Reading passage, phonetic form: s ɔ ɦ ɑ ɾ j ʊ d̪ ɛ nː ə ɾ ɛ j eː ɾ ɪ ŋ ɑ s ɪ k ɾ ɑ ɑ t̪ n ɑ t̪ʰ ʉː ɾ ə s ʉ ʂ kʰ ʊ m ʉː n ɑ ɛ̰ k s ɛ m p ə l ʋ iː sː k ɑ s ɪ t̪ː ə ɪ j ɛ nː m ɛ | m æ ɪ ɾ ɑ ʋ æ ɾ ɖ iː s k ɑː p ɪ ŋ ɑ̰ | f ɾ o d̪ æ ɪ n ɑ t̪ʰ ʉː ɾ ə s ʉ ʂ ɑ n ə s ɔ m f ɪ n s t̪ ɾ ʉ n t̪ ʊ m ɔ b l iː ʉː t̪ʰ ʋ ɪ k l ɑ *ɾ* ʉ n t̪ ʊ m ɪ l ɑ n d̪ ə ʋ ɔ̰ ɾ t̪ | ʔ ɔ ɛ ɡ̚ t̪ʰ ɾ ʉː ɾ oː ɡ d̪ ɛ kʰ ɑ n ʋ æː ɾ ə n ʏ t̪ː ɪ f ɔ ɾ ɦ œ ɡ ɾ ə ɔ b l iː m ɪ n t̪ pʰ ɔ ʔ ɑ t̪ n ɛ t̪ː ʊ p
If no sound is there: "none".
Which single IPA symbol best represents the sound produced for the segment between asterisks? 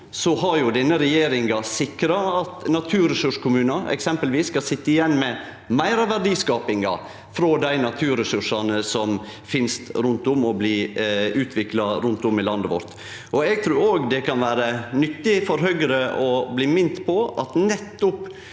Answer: ɾ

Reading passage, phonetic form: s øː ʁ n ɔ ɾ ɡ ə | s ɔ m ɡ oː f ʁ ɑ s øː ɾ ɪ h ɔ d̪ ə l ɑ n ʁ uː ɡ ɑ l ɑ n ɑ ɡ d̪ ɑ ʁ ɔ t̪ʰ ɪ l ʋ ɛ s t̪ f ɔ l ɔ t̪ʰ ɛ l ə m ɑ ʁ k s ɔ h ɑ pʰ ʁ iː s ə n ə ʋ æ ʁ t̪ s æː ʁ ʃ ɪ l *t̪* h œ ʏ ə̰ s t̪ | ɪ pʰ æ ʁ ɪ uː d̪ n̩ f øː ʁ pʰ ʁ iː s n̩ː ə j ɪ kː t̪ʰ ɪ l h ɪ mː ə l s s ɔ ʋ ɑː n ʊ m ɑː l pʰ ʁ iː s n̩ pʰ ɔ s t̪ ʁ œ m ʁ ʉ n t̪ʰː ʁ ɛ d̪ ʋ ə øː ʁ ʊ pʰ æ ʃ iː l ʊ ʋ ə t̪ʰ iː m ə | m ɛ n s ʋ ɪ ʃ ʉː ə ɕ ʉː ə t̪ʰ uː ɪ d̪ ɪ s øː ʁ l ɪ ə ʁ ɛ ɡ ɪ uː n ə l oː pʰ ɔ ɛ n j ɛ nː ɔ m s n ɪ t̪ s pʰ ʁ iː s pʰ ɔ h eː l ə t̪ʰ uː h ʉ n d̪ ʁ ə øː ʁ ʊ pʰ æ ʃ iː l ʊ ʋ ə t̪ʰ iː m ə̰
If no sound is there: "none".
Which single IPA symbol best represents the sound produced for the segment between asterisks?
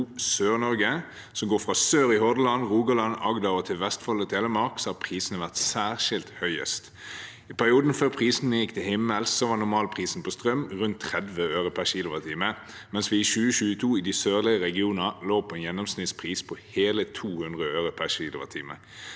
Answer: t̪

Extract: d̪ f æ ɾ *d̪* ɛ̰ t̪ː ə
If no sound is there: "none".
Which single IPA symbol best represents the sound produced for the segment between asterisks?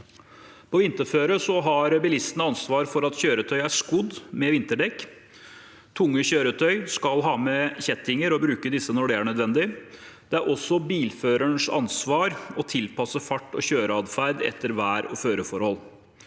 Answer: d̪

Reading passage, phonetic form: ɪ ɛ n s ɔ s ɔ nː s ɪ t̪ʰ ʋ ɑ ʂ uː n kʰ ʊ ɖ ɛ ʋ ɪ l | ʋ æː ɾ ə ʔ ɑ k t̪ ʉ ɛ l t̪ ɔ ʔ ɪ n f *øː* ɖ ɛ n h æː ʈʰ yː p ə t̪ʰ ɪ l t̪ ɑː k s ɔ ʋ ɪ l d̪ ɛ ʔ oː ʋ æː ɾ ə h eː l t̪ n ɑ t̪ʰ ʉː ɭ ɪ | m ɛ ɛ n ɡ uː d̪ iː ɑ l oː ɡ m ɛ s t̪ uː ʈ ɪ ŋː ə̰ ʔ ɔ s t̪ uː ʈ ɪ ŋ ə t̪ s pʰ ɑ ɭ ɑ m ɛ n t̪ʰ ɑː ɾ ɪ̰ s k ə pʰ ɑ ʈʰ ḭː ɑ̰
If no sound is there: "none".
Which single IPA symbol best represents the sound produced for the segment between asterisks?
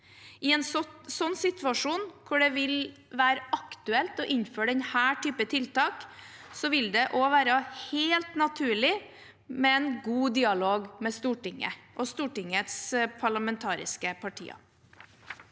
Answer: øː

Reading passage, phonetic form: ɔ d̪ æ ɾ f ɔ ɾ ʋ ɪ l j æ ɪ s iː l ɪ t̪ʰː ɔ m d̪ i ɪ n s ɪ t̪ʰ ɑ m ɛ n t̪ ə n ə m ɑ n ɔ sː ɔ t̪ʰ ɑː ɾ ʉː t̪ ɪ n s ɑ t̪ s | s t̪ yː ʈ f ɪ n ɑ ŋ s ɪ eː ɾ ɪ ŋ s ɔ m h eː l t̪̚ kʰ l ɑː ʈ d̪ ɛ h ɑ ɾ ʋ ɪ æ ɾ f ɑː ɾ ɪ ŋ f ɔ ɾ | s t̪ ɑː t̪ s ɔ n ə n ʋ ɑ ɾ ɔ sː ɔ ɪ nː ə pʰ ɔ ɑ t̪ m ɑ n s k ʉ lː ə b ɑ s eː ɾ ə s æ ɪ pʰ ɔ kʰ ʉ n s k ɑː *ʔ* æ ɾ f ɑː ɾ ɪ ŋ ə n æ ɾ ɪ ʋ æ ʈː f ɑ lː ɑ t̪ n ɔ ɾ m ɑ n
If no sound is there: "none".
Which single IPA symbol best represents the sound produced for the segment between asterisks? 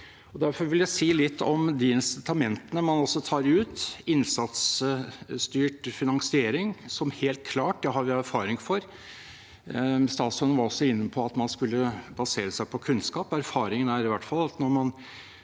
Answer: p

